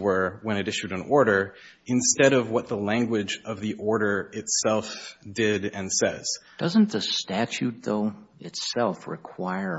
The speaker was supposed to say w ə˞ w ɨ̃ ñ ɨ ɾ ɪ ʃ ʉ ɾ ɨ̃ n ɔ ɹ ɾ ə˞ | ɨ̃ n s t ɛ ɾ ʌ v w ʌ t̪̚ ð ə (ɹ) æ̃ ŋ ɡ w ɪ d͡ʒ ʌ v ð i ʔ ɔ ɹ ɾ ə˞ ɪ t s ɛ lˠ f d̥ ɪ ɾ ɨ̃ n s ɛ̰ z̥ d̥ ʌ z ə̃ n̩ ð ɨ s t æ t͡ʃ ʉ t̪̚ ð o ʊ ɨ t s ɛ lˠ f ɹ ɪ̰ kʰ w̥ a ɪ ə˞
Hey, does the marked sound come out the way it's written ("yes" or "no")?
no